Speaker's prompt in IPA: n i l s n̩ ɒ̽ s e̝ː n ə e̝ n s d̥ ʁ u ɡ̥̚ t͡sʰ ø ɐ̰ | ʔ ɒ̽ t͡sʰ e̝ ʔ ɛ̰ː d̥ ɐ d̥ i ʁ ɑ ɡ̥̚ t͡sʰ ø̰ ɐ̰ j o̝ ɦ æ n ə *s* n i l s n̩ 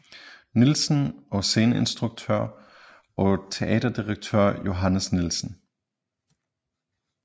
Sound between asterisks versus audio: correct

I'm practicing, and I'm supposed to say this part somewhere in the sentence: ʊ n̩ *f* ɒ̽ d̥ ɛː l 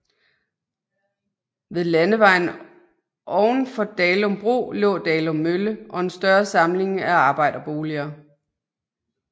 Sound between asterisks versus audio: correct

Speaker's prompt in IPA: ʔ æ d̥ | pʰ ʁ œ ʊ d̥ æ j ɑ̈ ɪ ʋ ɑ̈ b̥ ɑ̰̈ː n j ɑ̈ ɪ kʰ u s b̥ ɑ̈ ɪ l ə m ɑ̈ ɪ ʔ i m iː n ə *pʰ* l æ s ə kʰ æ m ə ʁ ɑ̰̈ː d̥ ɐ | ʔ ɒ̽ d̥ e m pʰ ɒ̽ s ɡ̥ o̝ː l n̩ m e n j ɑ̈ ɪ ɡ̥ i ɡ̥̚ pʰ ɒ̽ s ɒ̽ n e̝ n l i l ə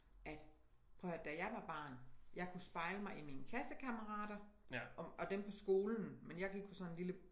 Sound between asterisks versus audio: incorrect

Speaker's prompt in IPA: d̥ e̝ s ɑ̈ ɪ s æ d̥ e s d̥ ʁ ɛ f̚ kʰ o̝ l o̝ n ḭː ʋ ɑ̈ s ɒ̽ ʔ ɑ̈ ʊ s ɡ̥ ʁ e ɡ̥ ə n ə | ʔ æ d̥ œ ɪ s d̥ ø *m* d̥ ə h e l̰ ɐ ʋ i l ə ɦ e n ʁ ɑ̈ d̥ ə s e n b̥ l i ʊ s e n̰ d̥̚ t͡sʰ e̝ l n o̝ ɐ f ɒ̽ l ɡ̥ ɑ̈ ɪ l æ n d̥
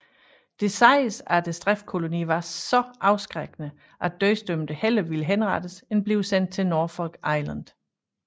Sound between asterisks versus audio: correct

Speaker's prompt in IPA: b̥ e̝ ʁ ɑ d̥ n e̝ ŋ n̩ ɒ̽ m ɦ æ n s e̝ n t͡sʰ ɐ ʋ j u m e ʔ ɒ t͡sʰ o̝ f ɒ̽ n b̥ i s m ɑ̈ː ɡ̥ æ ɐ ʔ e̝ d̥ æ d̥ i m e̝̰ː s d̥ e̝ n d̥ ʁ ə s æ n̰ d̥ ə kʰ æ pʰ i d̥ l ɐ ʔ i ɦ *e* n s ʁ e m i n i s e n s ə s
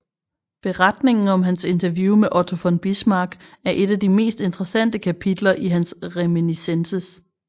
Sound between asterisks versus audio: incorrect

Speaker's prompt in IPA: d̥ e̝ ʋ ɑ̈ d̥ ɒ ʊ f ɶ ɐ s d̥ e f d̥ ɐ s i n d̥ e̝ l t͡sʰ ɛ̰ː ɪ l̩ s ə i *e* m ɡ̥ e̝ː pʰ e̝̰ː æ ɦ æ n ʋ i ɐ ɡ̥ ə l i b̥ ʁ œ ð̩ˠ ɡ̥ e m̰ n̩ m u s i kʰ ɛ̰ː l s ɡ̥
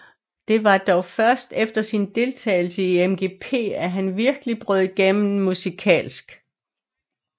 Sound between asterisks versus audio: correct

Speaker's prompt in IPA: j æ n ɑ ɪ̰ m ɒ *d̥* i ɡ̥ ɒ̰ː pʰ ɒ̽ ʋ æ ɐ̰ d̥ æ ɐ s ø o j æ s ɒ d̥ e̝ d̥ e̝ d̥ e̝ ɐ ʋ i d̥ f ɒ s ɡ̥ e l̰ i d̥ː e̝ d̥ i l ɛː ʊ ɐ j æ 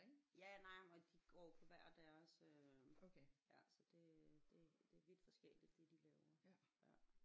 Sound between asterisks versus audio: correct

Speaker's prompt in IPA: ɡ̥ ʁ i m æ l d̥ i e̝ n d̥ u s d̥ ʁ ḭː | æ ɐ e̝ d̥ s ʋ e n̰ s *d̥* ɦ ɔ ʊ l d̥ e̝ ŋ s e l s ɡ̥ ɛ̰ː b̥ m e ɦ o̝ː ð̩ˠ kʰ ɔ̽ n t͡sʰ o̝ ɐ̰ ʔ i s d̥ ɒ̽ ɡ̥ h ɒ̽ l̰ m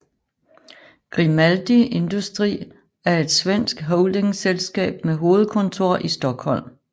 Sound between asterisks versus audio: incorrect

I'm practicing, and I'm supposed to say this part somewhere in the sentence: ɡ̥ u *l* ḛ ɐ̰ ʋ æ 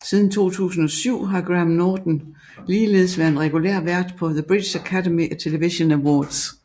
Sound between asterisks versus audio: correct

